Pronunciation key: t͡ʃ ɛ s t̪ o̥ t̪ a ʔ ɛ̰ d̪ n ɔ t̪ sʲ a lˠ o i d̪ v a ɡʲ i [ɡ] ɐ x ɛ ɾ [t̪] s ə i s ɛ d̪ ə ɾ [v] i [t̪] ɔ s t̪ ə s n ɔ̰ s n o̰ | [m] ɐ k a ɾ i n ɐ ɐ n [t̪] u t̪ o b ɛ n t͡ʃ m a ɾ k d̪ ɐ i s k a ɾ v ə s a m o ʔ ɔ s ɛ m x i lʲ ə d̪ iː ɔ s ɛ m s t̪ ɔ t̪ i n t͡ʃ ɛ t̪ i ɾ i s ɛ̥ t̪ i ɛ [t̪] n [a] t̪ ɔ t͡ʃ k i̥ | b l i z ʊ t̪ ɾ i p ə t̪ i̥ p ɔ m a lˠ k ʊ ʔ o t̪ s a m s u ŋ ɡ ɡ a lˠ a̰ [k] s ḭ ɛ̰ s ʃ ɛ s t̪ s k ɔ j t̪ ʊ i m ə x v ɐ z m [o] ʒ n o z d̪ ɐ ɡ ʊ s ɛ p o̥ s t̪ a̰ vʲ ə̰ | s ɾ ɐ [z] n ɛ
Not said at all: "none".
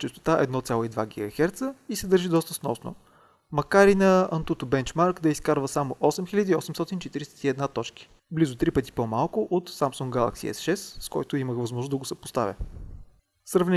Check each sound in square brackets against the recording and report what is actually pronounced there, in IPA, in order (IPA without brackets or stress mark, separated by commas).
ɡ, t̪, ʒ, d̪, m, t̪, d̪, a, k, ɔ, v